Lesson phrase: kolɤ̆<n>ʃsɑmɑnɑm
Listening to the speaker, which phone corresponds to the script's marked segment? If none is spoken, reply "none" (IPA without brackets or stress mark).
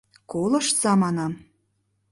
none